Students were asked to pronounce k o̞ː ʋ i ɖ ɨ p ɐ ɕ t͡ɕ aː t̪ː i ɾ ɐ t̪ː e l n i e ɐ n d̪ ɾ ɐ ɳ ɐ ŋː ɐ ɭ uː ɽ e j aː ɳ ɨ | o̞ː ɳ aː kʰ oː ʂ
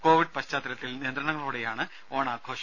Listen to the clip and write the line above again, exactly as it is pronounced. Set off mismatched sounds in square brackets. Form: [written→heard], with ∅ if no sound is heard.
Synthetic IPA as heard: k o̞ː ʋ i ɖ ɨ p ɐ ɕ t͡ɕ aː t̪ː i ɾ ɐ t̪ː [e→i] l n i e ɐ n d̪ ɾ ɐ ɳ ɐ ŋː ɐ ɭ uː ɽ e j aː ɳ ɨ | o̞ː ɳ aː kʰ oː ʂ